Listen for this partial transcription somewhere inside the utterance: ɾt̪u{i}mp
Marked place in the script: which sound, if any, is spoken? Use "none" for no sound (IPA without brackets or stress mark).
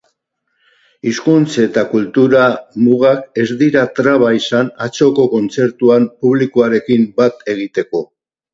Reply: a